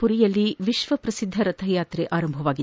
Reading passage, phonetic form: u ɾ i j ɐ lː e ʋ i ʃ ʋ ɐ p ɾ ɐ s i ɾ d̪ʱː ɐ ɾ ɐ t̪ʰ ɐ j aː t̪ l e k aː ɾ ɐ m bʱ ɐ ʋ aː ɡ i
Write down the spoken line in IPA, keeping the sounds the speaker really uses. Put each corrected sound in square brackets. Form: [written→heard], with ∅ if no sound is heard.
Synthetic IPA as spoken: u ɾ i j ɐ lː [e→i] ʋ i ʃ ʋ ɐ p ɾ ɐ s i [ɾ→∅] d̪ʱː ɐ ɾ ɐ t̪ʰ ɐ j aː t̪ [l→ɾ] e [k→ʔ] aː ɾ ɐ m bʱ ɐ ʋ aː ɡ i